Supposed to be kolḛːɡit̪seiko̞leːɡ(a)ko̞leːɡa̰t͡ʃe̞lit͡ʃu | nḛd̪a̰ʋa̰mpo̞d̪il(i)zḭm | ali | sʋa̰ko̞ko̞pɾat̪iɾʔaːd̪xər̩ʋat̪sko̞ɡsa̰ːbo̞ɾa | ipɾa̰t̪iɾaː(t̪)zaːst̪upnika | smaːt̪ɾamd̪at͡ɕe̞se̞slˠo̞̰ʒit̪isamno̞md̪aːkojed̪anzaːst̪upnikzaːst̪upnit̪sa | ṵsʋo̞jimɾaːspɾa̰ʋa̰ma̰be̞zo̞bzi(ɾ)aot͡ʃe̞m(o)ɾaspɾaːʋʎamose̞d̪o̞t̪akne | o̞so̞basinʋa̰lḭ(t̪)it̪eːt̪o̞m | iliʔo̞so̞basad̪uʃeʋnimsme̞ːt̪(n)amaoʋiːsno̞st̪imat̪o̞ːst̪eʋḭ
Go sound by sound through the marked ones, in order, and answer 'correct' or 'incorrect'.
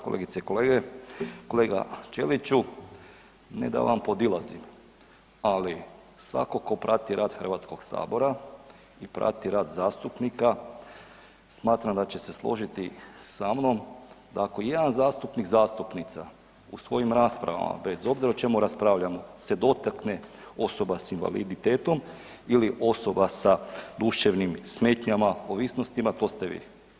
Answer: incorrect: e, incorrect: a, incorrect: d̪, correct, incorrect: u, incorrect: d̪, incorrect: ɲ

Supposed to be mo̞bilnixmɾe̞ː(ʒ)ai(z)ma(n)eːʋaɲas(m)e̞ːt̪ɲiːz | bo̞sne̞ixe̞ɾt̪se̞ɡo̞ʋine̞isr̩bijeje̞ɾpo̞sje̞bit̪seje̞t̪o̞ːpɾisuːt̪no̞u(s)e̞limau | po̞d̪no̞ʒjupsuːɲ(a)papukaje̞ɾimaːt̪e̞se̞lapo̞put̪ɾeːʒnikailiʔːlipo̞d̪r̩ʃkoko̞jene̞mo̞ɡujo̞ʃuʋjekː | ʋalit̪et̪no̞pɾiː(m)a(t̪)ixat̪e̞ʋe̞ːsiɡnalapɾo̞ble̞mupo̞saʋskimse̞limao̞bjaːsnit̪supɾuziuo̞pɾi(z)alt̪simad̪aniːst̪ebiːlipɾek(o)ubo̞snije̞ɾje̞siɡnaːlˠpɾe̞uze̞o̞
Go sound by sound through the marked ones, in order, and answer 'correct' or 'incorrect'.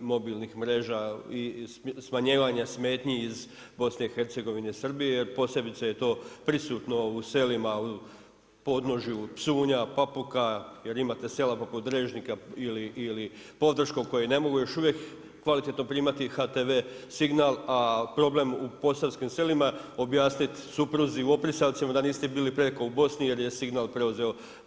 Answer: correct, incorrect: s, incorrect: ɲ, correct, correct, correct, correct, correct, incorrect: s, correct

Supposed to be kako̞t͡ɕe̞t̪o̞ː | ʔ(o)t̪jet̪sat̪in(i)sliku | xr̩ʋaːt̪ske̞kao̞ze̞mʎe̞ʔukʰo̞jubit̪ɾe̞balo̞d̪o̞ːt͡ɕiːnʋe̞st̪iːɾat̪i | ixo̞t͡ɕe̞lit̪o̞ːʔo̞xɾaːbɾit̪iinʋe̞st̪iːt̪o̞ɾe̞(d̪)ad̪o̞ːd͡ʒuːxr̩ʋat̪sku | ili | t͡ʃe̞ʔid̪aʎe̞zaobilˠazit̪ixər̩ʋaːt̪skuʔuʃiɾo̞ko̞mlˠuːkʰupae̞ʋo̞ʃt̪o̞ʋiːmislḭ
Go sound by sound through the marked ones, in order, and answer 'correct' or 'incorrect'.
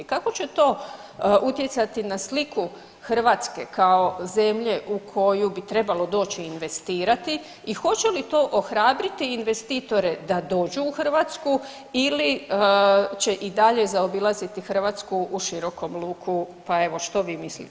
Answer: incorrect: u, incorrect: a, correct

